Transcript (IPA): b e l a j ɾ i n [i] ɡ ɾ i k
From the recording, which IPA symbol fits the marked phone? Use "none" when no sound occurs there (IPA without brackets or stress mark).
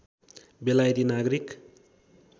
a